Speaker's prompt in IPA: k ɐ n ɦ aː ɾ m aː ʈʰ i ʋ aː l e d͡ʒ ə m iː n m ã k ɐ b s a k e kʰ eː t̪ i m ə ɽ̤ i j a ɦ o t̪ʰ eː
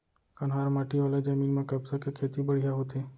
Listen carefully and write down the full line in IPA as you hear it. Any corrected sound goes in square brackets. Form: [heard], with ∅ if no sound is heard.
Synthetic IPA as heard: k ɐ n ɦ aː ɾ m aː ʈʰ i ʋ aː l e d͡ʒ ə m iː n m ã k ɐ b s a k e kʰ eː t̪ i [b] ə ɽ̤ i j a ɦ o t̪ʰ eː